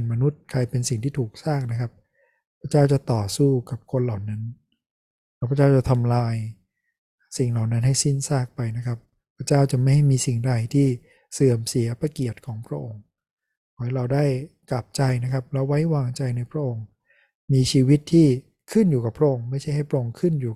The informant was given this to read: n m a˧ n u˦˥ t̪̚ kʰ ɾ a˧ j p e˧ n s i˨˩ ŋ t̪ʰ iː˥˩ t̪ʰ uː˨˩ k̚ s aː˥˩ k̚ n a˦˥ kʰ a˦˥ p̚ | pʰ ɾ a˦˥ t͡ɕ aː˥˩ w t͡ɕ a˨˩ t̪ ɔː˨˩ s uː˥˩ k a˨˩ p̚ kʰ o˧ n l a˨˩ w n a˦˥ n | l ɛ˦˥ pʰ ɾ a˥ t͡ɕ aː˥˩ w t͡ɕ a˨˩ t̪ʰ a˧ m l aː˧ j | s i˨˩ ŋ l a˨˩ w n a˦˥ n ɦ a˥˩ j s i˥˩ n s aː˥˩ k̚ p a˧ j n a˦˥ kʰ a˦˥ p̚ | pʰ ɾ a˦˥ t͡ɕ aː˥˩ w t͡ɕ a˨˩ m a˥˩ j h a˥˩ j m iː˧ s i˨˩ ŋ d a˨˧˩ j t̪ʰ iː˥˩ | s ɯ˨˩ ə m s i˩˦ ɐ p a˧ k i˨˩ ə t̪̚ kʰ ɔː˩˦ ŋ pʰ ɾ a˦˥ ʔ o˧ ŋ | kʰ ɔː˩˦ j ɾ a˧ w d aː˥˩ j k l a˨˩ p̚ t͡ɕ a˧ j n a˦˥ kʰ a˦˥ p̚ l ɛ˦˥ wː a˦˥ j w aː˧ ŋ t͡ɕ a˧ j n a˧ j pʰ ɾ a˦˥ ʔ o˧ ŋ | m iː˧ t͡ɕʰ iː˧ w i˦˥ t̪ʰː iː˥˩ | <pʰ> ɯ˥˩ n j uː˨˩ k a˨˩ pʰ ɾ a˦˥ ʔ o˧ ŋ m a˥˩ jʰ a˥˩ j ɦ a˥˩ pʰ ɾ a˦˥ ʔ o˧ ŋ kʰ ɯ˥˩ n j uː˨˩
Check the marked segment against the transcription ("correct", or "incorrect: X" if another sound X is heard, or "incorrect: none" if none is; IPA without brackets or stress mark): incorrect: kʰ